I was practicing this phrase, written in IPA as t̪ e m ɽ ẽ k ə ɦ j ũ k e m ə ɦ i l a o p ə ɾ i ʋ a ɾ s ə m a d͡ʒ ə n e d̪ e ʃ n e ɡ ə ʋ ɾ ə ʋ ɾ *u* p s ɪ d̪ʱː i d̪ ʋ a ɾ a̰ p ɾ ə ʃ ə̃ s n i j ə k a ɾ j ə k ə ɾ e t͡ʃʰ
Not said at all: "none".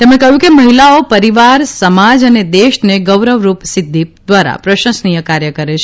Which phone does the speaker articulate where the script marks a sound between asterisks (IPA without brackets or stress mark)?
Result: u